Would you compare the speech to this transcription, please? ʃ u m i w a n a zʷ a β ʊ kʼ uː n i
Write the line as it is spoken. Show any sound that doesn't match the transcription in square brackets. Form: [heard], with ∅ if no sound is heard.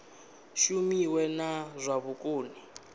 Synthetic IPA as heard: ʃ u m i w [ɛ] n a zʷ a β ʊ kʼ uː n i